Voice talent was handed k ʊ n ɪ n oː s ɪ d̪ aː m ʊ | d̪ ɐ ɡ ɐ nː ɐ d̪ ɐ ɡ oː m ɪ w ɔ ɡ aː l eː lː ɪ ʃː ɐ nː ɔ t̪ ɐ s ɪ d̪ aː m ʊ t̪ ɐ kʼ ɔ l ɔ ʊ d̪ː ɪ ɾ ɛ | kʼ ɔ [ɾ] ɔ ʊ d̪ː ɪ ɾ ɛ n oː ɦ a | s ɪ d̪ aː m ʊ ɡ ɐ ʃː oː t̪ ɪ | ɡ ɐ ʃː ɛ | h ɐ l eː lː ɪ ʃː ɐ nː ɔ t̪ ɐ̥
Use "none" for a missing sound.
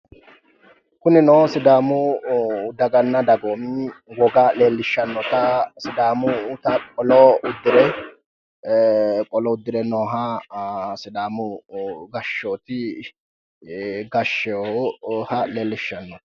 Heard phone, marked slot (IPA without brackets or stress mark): l